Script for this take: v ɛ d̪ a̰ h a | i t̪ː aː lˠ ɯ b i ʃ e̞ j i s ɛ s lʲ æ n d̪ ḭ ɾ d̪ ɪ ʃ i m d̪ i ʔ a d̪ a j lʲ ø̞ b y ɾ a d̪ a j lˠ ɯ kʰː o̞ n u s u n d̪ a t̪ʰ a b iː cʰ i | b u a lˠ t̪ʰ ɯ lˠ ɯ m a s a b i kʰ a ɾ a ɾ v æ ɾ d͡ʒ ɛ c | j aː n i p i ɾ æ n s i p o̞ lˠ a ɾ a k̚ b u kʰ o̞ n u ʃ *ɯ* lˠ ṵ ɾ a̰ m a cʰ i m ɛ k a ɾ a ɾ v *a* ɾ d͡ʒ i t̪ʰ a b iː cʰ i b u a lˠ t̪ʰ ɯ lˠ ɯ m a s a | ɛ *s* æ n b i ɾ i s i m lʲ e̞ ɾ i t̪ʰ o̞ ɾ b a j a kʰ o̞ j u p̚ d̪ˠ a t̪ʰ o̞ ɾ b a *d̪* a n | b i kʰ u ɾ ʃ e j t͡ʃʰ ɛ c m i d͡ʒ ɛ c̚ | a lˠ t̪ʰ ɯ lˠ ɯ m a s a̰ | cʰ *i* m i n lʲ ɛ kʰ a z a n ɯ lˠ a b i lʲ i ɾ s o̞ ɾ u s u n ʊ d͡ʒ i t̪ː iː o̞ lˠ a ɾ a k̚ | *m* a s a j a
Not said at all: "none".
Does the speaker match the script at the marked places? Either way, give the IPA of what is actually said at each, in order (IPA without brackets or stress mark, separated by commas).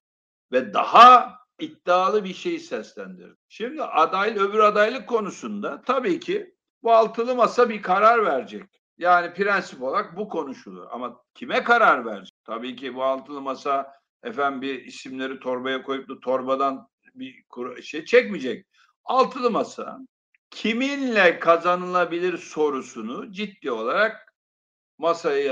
u, æ, f, d̪, i, m